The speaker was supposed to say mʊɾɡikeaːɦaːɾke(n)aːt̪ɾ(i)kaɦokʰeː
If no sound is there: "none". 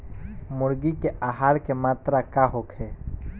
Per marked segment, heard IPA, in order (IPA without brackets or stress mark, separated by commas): m, a